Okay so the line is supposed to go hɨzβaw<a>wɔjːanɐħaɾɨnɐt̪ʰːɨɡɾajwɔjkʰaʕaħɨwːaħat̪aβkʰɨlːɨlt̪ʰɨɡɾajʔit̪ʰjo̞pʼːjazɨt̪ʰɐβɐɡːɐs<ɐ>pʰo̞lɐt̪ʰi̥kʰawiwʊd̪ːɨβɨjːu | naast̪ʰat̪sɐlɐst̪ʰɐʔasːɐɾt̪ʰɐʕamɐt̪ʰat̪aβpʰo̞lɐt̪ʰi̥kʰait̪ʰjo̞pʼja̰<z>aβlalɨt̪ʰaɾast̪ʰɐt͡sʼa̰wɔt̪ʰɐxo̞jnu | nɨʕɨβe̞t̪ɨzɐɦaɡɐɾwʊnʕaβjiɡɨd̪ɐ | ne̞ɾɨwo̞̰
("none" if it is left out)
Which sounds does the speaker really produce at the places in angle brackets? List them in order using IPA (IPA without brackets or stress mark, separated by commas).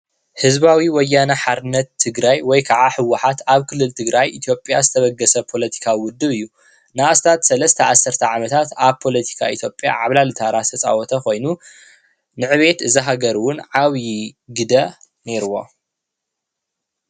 i, ɐ, ʕ